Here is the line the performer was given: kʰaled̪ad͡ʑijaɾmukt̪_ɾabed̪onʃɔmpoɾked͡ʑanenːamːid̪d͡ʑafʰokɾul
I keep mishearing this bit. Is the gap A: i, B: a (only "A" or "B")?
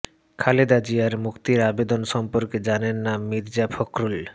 A